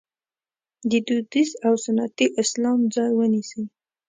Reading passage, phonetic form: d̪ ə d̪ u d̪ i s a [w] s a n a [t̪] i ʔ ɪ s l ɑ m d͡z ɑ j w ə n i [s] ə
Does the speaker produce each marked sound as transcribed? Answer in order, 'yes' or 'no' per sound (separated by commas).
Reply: yes, yes, yes